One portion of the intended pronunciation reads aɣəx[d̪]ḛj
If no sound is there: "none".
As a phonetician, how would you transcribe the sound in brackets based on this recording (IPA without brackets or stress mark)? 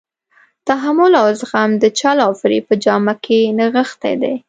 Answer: t̪